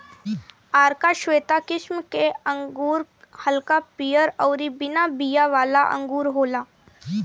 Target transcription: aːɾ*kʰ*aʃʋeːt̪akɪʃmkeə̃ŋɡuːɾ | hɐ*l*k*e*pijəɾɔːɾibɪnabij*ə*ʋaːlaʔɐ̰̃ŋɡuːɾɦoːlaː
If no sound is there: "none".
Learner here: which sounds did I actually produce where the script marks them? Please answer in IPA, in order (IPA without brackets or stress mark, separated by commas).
k, l, a, a